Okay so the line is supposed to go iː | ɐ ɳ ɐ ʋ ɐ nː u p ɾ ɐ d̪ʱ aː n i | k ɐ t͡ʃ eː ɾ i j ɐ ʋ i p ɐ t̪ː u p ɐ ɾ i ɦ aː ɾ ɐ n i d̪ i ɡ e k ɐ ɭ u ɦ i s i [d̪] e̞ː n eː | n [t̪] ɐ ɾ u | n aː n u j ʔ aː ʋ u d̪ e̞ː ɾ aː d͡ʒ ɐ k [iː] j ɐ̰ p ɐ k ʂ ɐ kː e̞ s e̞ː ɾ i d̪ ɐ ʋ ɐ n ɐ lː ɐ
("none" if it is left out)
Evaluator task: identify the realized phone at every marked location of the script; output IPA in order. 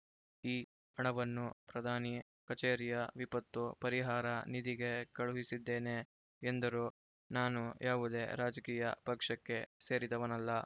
d̪ː, d̪, iː

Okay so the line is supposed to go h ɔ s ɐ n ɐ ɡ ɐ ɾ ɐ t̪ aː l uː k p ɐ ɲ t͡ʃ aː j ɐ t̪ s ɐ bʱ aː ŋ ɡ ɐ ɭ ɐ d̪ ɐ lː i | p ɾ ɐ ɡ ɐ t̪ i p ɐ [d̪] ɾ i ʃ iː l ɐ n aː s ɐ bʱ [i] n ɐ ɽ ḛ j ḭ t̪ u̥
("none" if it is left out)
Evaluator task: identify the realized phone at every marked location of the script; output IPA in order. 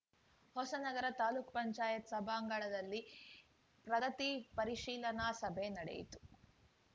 none, e

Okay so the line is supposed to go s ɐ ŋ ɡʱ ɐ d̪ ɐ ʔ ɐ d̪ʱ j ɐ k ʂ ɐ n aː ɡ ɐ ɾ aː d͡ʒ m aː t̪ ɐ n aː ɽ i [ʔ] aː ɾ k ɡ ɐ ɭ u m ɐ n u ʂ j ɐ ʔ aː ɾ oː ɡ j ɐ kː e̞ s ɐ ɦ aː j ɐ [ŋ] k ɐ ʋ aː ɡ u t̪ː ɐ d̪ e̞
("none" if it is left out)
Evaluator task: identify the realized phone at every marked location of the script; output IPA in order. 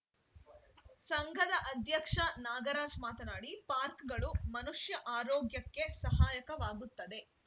p, none

